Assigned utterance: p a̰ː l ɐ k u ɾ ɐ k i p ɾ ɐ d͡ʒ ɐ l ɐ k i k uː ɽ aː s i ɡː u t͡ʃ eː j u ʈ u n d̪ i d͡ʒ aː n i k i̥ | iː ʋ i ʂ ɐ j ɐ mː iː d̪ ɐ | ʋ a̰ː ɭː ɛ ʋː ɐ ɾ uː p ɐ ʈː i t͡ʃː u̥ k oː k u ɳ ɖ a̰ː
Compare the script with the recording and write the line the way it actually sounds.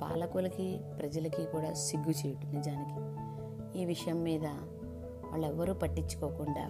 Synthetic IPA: p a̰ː l ɐ k u l ɐ k i p ɾ ɐ d͡ʒ ɐ l ɐ k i k uː ɽ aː s i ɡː u t͡ʃ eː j u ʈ u n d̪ i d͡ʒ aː n i k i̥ | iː ʋ i ʂ ɐ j ɐ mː iː d̪ ɐ | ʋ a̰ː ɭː ɛ ʋː ɐ ɾ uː p ɐ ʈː i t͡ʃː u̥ k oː k u ɳ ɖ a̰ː